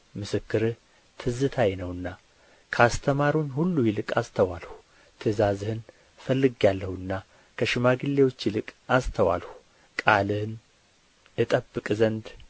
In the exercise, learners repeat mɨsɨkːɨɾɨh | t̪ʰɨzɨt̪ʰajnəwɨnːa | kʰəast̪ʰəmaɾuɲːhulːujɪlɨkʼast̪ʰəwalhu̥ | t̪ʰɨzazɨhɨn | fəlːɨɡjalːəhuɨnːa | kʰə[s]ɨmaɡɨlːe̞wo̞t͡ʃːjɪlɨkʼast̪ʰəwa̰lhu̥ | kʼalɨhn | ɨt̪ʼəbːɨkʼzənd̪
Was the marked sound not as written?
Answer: yes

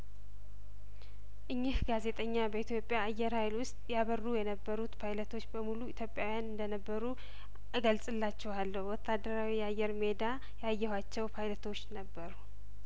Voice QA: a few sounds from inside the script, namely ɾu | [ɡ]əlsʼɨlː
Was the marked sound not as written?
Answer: no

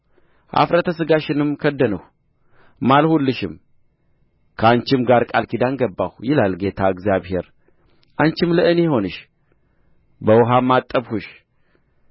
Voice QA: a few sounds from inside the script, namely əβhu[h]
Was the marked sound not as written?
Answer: yes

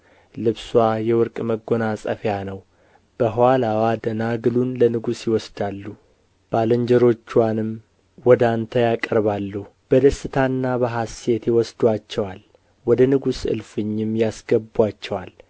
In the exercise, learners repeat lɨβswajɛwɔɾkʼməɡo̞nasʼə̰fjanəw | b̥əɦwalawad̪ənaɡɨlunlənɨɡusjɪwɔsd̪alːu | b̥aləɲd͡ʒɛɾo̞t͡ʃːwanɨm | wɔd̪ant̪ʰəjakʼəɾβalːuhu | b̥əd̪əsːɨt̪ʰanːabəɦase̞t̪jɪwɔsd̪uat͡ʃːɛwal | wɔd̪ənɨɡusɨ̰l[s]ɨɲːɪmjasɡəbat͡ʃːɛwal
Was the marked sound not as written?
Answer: yes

